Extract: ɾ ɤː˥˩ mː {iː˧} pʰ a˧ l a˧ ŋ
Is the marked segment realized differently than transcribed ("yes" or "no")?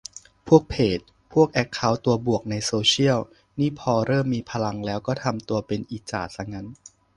no